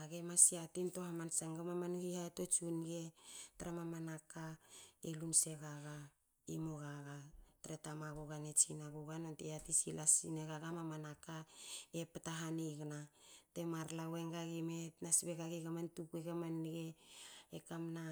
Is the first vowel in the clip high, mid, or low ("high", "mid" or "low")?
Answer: low